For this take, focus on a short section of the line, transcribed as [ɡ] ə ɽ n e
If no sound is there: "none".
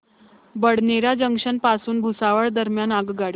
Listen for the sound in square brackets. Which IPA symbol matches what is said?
b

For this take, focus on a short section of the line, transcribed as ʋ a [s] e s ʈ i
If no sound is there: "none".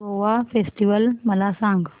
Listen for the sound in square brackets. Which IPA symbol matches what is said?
f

